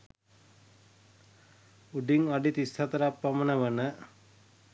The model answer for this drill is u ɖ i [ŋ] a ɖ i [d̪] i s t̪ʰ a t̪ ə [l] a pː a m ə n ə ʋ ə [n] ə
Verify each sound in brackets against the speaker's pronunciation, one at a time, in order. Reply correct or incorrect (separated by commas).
correct, incorrect, incorrect, correct